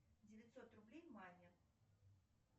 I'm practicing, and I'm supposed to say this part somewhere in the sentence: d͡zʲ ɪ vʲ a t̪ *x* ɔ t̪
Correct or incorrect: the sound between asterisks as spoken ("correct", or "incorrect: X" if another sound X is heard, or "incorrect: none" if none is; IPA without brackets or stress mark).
incorrect: s